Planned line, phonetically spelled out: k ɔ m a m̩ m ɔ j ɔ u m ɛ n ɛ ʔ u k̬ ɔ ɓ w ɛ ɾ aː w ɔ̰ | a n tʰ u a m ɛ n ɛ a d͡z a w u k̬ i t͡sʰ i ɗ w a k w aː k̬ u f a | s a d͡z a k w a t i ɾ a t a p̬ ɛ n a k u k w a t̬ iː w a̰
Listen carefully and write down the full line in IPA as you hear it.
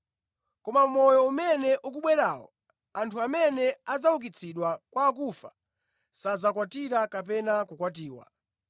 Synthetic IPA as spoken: k ɔ m a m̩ m ɔ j ɔ u m ɛ n ɛ ʔ u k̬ u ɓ w ɛ ɾ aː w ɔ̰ | a n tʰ u a m ɛ n ɛ a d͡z a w u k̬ i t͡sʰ i ɗ w a k w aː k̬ u f a | s a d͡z a k w a t i ɾ a k a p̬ ɛ n a k u k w a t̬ iː w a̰